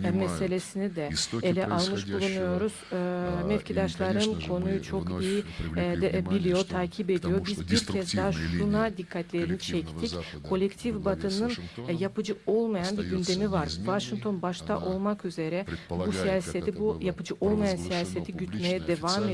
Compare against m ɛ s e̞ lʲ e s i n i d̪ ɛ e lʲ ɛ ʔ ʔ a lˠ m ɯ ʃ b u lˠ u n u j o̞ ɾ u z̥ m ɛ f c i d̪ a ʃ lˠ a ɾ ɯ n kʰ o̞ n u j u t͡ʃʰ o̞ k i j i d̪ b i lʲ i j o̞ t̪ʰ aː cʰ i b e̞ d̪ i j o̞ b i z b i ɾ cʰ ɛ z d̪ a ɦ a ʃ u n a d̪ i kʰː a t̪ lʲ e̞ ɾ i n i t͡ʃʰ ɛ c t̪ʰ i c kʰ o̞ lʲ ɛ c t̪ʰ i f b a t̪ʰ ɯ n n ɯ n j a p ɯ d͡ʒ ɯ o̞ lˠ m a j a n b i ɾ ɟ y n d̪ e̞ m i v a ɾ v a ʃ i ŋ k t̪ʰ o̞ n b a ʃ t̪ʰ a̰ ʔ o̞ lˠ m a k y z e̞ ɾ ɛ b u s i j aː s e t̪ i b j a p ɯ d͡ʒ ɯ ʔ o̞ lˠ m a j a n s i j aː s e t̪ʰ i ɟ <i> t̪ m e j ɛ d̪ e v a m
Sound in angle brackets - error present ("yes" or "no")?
yes